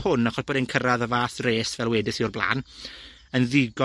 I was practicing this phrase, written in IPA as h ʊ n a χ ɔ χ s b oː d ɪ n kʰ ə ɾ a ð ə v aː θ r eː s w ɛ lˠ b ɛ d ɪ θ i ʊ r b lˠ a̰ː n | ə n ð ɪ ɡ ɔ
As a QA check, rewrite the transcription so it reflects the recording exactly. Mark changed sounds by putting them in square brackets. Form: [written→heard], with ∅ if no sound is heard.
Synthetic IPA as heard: h ʊ n a χ ɔ [χ→∅] s b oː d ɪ n kʰ ə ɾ a ð ə v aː θ r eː s [w→v] ɛ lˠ [b→w] ɛ d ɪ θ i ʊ r b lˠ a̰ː n | ə n ð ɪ ɡ ɔ